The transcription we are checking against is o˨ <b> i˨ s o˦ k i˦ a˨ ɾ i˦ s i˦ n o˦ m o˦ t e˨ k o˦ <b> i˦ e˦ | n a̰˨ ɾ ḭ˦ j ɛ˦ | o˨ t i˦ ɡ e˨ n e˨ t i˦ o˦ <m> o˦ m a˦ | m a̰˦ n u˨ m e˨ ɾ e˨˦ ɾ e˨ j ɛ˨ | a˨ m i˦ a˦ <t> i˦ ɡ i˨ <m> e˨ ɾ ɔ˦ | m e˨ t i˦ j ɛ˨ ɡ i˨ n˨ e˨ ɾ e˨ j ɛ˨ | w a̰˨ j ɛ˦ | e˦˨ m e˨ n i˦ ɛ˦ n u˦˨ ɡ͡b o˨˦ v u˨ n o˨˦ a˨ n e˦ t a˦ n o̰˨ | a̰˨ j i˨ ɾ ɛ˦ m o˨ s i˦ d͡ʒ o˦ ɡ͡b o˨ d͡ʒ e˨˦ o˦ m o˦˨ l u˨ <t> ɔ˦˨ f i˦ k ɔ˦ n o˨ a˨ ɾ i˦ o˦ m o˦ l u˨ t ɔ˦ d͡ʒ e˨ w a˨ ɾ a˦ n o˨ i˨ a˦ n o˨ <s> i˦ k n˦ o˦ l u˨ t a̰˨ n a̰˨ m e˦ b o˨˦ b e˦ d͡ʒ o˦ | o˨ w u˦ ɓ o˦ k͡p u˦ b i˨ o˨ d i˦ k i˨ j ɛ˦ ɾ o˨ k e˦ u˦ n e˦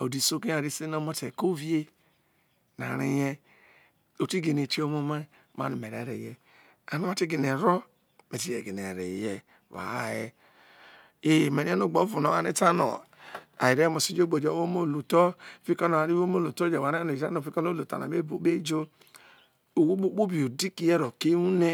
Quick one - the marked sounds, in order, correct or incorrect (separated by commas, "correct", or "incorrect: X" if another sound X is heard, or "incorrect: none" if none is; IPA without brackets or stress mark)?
incorrect: d, incorrect: v, correct, correct, incorrect: n, correct, incorrect: f